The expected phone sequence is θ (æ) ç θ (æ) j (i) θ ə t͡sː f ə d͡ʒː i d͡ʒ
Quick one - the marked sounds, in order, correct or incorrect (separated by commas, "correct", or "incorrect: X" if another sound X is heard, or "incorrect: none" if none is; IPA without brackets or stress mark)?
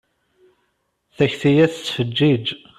correct, incorrect: i, incorrect: æ